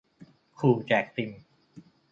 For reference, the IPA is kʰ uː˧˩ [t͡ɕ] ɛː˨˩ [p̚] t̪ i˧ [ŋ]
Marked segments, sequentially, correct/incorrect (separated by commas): correct, incorrect, incorrect